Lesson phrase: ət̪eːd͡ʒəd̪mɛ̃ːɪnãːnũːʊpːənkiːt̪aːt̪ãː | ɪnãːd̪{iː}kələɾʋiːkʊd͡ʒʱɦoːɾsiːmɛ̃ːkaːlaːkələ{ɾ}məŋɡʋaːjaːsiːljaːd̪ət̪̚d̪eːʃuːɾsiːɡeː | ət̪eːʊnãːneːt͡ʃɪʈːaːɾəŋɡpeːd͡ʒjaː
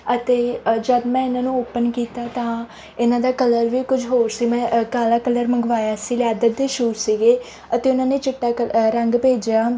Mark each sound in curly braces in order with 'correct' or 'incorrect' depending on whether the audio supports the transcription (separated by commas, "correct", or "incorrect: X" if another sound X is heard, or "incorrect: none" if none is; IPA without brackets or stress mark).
incorrect: aː, correct